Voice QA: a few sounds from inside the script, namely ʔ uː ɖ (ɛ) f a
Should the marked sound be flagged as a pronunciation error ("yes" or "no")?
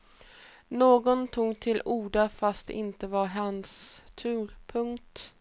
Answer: yes